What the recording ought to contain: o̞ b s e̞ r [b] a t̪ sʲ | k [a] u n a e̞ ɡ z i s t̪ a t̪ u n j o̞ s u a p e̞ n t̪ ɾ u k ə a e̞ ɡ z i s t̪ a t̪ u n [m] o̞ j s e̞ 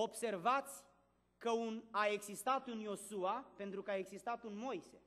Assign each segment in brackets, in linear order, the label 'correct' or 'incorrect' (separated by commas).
incorrect, incorrect, correct